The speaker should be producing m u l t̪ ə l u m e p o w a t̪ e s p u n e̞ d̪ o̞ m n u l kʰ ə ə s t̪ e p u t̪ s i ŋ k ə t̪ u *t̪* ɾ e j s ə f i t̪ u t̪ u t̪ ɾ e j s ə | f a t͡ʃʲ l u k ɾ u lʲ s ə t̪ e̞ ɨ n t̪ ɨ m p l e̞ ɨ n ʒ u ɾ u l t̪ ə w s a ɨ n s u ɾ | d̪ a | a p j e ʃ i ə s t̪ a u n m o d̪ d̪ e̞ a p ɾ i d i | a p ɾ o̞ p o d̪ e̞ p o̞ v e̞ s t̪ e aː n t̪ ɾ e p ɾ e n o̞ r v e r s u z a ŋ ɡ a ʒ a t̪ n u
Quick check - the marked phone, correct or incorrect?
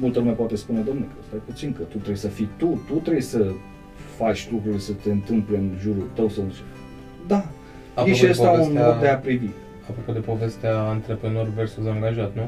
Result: correct